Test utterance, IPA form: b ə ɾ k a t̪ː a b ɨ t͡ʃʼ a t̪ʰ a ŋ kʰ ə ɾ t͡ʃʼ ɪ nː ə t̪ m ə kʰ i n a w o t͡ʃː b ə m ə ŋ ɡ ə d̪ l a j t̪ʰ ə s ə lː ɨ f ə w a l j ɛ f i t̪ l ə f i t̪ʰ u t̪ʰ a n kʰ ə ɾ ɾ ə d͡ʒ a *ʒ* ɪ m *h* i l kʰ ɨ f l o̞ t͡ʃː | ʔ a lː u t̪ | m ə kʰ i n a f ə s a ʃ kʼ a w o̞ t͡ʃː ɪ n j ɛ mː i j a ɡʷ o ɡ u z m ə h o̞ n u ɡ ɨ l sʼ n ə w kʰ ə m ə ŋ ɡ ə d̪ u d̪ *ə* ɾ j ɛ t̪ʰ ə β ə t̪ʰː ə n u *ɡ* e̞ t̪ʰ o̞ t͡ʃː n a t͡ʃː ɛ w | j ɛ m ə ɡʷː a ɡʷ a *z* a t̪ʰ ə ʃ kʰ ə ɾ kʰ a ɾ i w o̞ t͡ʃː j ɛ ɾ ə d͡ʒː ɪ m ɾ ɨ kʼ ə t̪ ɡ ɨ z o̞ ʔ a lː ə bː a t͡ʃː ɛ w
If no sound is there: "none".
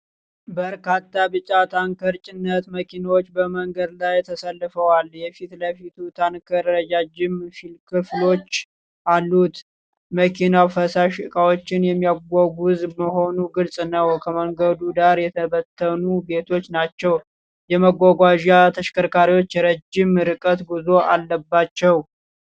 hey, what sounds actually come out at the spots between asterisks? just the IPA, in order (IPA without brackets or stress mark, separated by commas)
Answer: d͡ʒ, f, a, b, ʒ